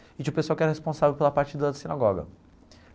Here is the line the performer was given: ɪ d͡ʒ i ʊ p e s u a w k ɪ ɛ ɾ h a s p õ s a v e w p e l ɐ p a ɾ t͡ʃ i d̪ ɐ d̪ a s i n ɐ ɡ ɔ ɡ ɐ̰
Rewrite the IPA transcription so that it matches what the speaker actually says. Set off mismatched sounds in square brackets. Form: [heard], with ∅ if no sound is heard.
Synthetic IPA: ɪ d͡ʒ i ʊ p e s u a w k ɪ ɛ ɾ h [e] s p õ s a v e w p e l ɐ p a ɾ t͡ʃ i d̪ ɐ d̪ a s i n [a] ɡ ɔ ɡ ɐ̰